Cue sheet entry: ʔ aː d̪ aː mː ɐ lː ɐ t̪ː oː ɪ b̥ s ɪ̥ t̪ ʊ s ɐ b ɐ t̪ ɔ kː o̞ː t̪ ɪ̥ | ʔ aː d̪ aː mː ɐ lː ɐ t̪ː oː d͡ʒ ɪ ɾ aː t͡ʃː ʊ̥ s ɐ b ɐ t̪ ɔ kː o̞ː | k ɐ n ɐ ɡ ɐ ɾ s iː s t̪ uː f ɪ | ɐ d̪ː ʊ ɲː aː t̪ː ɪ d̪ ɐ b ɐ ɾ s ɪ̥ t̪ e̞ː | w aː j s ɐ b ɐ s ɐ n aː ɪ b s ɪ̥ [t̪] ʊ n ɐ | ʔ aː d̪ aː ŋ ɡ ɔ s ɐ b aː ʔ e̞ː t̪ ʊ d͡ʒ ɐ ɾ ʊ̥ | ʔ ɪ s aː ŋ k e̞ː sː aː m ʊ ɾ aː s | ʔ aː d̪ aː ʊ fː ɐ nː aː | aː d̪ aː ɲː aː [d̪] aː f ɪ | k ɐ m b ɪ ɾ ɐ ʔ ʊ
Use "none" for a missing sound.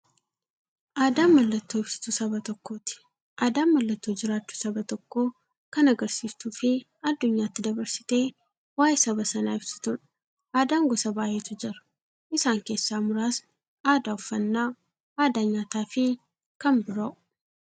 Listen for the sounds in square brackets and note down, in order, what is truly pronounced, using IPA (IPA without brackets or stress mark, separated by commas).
t̪, t̪